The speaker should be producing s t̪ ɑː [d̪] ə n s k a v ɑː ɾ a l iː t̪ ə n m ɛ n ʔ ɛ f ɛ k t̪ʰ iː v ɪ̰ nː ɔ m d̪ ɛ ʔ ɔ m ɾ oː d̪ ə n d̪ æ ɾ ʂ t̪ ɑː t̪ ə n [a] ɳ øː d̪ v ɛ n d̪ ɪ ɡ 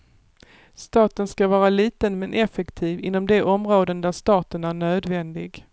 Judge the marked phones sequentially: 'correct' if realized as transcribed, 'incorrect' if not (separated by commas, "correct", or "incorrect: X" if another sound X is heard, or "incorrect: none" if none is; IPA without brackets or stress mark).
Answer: incorrect: t̪, incorrect: æ